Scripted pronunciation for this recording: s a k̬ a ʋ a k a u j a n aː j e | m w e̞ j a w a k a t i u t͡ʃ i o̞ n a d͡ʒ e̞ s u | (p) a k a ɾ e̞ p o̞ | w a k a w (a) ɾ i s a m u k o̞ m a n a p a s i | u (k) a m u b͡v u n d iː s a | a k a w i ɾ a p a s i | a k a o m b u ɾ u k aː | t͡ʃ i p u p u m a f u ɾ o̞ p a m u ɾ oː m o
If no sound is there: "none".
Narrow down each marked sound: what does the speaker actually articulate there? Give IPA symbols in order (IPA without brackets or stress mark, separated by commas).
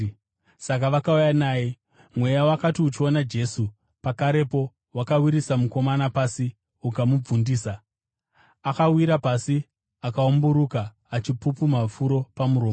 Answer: p, i, k